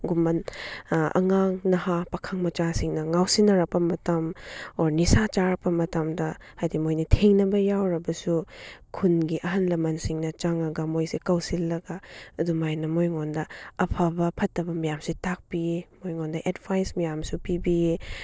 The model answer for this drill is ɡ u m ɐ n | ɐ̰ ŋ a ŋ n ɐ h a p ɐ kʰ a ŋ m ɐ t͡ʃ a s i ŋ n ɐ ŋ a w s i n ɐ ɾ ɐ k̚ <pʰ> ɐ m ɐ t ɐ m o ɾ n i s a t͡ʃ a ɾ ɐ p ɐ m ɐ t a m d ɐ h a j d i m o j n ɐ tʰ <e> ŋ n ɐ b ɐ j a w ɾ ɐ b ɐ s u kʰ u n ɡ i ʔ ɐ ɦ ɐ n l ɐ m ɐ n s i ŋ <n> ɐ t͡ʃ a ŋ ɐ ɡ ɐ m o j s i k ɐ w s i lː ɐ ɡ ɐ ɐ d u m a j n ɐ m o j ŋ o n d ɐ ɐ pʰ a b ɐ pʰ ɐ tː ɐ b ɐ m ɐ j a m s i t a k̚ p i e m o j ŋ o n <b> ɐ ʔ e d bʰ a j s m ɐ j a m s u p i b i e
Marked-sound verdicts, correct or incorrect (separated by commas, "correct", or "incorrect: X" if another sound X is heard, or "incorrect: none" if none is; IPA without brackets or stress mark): incorrect: p, correct, correct, incorrect: d